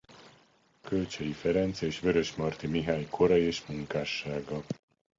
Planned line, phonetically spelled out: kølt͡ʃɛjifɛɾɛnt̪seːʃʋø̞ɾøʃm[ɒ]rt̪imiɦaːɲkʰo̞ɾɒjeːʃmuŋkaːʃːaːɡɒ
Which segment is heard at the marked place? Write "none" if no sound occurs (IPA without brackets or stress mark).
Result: ɒ